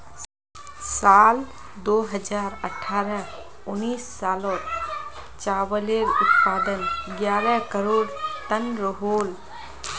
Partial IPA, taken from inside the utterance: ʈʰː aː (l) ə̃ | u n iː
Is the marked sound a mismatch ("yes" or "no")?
yes